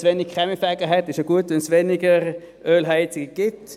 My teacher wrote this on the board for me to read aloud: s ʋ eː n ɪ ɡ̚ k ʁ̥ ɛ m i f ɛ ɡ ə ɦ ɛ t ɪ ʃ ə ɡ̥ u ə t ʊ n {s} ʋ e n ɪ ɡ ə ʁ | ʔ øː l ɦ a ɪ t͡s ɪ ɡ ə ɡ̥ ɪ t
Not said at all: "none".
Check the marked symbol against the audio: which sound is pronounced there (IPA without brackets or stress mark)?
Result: s